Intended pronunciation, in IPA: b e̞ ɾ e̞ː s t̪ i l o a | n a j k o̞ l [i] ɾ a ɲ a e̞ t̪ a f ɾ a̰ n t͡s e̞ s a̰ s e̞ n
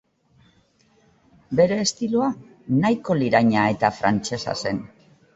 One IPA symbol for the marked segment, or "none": i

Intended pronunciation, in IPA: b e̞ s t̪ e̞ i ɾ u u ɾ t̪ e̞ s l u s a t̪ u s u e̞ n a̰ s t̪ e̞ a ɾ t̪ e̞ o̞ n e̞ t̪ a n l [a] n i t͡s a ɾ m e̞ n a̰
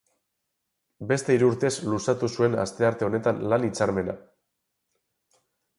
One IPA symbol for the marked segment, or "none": a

